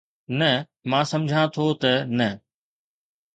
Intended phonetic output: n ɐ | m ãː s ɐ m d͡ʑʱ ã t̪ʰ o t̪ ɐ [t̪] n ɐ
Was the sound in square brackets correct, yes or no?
no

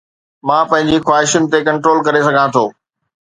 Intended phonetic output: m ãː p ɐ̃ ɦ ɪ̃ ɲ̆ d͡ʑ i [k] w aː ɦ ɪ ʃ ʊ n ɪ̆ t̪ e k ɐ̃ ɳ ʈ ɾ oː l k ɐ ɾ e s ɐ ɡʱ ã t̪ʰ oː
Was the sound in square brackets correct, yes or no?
no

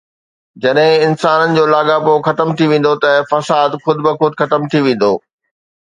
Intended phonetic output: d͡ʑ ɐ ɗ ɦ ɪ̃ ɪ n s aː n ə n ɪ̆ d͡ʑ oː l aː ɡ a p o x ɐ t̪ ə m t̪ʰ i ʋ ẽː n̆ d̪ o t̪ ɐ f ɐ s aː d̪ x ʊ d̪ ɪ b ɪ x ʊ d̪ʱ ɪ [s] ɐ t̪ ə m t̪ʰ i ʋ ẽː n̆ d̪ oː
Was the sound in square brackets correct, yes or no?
no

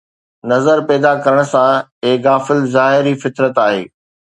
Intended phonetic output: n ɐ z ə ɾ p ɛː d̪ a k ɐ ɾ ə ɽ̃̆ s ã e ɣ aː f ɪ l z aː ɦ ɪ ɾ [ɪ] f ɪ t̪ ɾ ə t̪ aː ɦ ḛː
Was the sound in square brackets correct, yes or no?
no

